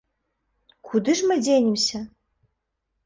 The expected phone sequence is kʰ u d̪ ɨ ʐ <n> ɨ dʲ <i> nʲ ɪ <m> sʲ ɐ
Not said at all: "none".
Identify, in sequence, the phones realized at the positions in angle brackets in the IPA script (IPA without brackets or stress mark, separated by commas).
m, e, m